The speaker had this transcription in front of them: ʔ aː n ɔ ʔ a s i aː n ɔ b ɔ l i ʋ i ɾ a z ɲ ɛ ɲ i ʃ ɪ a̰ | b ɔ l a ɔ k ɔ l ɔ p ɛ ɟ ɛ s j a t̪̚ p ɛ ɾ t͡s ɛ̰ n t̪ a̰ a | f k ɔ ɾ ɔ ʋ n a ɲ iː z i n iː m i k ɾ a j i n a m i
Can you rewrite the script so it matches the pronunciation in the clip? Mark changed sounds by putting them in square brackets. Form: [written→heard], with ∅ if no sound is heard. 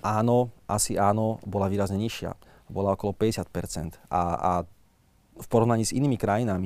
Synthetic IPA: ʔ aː n ɔ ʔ a s i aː n ɔ b ɔ l [i→a] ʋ [i→iː] ɾ a z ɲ ɛ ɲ i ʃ ɪ a̰ | b ɔ l a ɔ k ɔ l ɔ p ɛ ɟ ɛ s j a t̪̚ p ɛ ɾ t͡s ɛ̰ n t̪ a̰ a | f [k→p] ɔ ɾ ɔ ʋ n a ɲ iː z i n iː m i k ɾ a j i n a m i